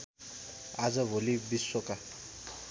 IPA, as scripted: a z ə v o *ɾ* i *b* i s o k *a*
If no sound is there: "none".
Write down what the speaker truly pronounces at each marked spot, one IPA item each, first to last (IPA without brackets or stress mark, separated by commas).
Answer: l, b, a